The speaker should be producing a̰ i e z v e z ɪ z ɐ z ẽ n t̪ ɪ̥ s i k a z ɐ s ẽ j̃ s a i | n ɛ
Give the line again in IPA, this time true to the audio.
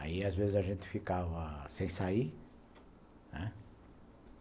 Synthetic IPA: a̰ i a z v e z ɪ z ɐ ʒ ẽ n t̪ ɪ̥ f i k a v ɐ s ẽ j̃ s a i | n ɛ